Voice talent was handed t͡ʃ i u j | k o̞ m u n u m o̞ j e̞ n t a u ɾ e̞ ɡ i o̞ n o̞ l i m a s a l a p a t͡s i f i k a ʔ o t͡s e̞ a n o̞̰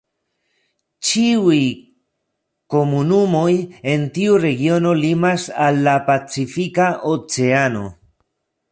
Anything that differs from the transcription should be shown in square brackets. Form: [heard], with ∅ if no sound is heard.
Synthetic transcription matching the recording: t͡ʃ i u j | k o̞ m u n u m o̞ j e̞ n t [i] u ɾ e̞ ɡ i o̞ n o̞ l i m a s a [lː] a p a t͡s i f i k a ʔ o t͡s e̞ a n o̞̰